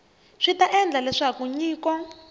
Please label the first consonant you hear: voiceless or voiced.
voiceless